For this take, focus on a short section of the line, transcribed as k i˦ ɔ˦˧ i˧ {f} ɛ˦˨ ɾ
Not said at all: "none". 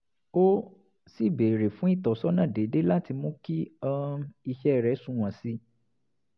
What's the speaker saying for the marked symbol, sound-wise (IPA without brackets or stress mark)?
ʃ